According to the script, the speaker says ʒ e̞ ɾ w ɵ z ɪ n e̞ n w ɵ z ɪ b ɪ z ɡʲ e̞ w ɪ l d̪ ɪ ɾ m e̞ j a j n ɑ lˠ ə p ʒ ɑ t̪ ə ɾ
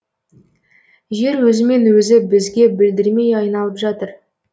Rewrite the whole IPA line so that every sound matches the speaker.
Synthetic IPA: ʒ e̞ ɾ w ɵ z ɪ m e̞ n w ɵ z ɪ b ɪ z ɡʲ e̞ b ɪ l d̪ ɪ ɾ m e̞ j ɑ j n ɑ lˠ ə p ʒ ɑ t̪ ə ɾ